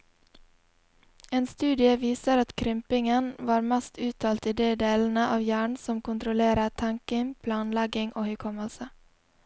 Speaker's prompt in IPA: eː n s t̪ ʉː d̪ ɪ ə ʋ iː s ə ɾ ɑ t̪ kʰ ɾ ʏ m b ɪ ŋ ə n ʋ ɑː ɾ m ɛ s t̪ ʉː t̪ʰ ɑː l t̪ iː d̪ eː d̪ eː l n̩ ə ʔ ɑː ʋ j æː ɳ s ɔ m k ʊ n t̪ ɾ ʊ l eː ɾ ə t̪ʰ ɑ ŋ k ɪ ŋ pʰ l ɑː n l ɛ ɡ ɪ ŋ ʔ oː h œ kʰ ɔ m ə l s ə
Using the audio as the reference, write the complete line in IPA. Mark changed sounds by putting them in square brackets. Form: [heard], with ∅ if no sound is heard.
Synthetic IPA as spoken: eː n s t̪ ʉː d̪ ɪ ə ʋ iː s ə ɾ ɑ t̪ kʰ ɾ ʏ m [p] ɪ ŋ ə n ʋ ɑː ɾ m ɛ s t̪ ʉː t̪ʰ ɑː l t̪ iː d̪ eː d̪ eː l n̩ ə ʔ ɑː ʋ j æː ɳ s ɔ m k ʊ n t̪ ɾ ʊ l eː ɾ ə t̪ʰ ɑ ŋ k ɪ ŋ pʰ l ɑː n l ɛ ɡ ɪ ŋ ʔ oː h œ kʰ ɔ m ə l s ə